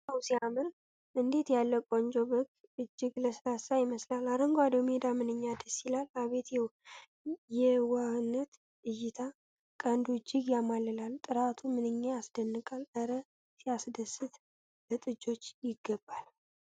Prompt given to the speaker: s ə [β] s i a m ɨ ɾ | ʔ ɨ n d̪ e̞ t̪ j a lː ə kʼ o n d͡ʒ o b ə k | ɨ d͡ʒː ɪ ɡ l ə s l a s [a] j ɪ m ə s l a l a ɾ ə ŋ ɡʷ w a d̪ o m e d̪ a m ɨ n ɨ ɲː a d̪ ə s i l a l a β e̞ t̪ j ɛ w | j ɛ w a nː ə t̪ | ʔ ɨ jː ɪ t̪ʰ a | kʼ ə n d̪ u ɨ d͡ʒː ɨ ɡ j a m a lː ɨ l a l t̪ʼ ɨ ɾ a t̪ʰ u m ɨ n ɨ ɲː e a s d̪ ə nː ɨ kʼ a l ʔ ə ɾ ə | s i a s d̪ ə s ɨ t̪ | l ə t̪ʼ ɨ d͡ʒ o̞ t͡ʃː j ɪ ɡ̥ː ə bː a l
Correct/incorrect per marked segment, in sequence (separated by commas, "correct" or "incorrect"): incorrect, correct